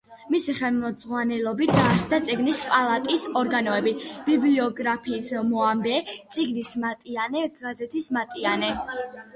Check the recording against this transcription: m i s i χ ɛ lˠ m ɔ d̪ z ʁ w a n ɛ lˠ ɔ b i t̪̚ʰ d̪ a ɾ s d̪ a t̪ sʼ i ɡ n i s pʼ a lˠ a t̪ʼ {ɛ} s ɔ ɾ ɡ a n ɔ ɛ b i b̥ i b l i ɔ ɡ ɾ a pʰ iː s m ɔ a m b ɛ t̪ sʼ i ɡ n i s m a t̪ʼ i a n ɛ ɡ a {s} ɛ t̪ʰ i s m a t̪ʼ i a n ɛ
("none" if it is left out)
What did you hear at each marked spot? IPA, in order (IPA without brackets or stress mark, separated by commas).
i, z